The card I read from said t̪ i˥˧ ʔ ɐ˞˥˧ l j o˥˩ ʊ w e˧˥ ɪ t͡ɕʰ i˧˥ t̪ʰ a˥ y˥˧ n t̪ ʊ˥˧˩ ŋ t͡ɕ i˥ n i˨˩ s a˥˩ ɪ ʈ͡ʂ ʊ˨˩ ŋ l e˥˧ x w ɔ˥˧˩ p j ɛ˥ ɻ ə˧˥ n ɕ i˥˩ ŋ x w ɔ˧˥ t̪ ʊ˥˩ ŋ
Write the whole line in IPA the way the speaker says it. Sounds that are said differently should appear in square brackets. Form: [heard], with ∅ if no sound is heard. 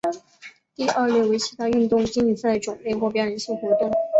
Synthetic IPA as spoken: t̪ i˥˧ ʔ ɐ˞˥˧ l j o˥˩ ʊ w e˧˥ ɪ t͡ɕʰ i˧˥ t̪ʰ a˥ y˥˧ n t̪ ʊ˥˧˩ ŋ t͡ɕ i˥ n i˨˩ s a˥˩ ɪ ʈ͡ʂ ʊ˨˩ ŋ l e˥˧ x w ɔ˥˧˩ p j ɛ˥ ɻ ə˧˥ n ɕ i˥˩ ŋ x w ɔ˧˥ t̪ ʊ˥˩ ŋ